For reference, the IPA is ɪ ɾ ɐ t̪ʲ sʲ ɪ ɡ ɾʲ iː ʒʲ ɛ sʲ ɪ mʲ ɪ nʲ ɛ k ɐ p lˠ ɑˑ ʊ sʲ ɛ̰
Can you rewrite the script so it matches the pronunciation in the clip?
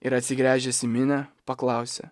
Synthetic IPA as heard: ɪ ɾ ɐ t̪ʲ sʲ ɪ ɡ ɾʲ æː ʒʲ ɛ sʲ ɪ mʲ ɪ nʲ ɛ p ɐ k lˠ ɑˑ ʊ sʲ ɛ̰